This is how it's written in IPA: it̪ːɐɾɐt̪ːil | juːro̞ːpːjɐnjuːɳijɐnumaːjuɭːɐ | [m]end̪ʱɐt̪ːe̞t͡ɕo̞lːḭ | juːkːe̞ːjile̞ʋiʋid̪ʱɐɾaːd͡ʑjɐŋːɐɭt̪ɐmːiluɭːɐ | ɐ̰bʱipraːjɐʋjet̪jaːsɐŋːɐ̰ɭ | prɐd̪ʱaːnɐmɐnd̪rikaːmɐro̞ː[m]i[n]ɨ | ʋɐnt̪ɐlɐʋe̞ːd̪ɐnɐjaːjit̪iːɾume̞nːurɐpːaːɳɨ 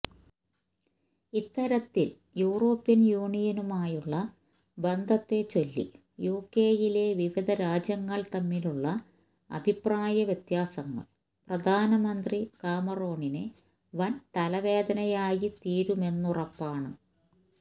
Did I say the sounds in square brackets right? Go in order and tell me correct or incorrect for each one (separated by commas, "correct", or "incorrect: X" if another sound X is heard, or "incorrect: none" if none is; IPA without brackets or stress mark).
incorrect: b, incorrect: ɳ, correct